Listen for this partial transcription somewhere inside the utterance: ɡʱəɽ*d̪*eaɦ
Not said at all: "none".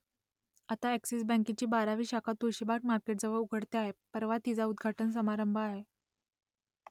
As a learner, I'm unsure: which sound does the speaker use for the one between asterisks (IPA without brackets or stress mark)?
t̪